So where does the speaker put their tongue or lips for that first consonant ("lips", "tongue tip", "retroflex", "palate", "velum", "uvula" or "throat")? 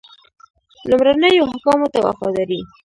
tongue tip